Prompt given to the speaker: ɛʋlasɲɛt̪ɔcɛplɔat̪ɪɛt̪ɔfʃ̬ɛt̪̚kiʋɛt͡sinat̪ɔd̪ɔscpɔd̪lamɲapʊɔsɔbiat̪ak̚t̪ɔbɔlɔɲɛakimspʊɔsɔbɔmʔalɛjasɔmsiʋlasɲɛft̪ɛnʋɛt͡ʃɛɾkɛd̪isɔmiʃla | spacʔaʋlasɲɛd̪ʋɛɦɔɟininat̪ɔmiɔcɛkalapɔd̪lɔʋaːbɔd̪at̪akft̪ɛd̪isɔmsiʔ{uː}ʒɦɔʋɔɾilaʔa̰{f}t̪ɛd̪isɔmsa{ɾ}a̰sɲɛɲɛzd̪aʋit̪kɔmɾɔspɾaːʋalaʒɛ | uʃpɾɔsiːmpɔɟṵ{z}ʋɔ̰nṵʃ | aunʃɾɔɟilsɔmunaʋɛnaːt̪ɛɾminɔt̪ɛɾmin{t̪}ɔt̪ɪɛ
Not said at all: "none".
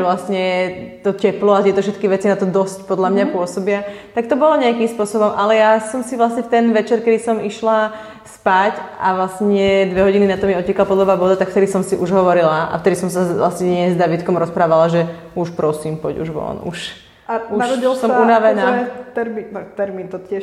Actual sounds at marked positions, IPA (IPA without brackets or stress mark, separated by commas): u, f, l, ʒ, t̪